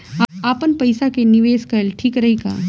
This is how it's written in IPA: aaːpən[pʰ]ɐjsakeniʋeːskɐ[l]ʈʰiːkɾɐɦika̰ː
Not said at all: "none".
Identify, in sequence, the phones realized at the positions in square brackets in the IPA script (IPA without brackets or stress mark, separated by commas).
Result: p, l